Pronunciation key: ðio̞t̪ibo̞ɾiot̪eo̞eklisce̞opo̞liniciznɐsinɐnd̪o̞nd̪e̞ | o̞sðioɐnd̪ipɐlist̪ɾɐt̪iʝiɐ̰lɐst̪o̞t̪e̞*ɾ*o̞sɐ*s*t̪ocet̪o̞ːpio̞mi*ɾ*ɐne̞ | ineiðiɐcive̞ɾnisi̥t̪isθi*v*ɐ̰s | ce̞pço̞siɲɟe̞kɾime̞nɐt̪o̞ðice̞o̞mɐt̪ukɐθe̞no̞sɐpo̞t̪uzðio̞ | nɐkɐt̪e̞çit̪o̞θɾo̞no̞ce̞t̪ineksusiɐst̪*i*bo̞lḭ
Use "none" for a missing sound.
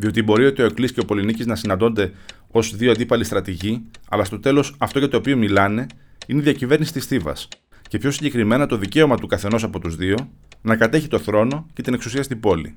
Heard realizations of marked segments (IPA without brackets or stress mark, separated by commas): l, f, l, v, i